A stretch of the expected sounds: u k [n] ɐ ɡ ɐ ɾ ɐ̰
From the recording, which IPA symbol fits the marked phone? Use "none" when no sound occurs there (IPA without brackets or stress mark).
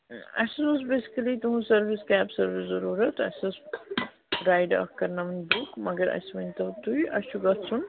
m